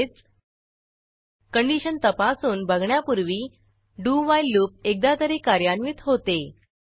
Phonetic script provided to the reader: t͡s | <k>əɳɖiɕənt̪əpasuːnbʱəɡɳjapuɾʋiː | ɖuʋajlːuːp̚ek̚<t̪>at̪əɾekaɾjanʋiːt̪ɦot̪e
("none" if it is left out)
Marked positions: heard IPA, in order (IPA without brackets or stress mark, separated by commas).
k, d̪